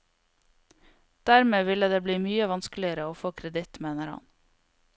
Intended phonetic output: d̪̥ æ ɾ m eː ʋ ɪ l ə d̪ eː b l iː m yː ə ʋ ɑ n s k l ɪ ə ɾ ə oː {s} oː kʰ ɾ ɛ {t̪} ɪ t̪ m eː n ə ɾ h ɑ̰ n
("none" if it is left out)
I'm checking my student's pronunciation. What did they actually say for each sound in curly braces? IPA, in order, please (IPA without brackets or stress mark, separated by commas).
f, d̪